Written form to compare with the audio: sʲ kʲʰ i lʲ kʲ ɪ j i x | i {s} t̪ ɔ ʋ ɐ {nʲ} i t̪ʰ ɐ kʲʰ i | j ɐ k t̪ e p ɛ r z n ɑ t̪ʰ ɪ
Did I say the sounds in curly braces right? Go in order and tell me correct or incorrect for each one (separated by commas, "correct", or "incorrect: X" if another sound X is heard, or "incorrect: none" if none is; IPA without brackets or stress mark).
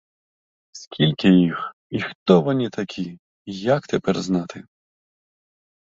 incorrect: x, correct